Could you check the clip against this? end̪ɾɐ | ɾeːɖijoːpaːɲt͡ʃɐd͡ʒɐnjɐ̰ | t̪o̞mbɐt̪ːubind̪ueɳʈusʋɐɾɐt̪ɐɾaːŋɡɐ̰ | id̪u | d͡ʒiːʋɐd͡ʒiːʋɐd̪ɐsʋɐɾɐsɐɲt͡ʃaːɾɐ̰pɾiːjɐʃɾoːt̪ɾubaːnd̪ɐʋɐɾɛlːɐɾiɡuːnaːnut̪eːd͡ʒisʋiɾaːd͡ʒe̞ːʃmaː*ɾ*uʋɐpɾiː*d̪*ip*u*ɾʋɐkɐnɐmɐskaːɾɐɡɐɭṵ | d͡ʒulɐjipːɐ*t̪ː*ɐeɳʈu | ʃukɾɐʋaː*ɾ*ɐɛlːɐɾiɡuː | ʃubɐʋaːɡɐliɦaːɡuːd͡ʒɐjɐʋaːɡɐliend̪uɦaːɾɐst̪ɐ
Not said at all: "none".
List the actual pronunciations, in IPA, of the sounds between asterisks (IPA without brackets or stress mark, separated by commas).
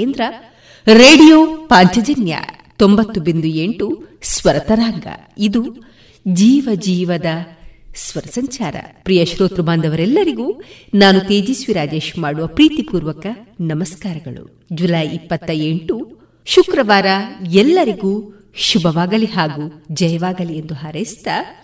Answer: ɽ, t̪, uː, t̪ː, ɾ